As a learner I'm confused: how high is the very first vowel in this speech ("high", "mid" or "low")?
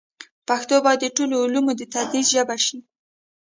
low